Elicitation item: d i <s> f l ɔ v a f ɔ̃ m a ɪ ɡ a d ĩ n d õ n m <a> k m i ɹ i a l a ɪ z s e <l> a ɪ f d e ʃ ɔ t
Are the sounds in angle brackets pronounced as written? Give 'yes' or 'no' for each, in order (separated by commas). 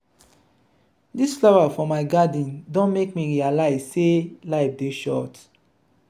yes, no, yes